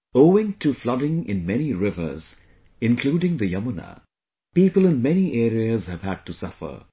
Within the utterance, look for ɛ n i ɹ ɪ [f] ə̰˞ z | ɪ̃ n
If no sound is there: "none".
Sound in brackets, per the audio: v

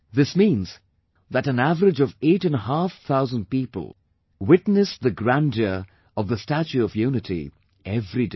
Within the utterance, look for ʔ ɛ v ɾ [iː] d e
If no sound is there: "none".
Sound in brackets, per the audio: i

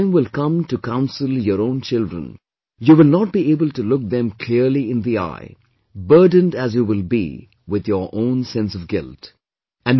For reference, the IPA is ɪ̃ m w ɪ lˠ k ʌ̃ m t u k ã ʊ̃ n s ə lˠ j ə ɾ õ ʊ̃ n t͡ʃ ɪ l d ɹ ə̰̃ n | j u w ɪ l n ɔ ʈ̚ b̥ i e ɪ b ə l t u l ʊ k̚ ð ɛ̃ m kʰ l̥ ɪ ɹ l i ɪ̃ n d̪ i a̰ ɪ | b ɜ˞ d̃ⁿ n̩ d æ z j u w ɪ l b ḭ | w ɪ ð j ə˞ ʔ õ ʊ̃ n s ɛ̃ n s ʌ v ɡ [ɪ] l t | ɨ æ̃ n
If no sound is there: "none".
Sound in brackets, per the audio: ɪ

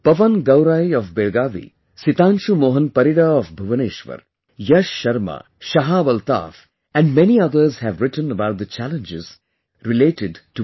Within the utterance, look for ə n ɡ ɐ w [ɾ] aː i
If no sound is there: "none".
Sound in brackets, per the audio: ɾ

